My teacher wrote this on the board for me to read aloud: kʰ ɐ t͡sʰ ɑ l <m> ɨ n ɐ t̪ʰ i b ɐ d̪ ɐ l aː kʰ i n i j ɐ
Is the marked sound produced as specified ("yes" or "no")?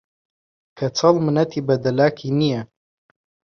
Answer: yes